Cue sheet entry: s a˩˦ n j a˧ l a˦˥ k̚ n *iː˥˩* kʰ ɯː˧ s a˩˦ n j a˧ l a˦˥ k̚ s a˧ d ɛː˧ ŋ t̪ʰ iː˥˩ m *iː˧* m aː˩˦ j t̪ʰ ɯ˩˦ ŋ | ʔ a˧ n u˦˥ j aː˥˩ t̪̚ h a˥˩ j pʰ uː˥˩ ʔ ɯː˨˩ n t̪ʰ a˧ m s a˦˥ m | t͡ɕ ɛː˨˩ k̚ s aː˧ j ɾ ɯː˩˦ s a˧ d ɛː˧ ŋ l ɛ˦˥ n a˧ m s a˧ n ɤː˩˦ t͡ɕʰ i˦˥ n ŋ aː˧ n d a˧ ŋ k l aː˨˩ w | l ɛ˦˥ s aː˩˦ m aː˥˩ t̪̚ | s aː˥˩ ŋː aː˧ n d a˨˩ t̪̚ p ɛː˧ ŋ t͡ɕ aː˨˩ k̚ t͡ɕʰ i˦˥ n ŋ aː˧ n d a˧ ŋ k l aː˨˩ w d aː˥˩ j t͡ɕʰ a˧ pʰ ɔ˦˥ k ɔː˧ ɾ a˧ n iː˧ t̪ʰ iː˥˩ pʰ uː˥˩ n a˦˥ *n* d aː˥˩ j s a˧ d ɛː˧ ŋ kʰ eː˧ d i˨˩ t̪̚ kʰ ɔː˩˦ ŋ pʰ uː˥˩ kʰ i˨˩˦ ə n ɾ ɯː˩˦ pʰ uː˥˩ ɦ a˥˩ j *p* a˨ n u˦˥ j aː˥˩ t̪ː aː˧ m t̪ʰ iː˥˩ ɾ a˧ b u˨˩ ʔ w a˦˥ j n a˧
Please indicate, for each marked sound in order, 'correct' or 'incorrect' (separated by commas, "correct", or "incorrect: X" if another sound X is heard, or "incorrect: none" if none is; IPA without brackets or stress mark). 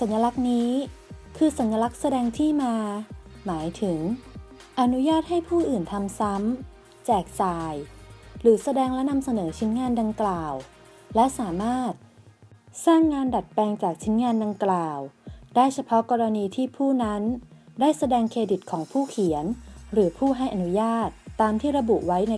incorrect: iː˦˥, incorrect: aː˧, correct, incorrect: ʔ